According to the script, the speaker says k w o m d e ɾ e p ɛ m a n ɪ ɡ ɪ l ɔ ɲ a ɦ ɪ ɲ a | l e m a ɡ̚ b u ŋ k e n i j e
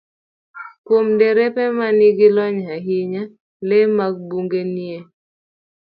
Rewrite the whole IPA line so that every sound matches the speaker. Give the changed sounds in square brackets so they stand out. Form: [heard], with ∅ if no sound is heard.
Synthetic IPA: k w o m d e ɾ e p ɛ m a n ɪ ɡ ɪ l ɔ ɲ a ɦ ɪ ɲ a | l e m a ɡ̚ b u ŋ [ɡ] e n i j e